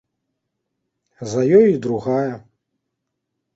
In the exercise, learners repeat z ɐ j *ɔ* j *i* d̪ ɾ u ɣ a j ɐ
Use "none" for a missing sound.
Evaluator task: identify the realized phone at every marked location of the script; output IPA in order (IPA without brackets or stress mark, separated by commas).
ɔ, i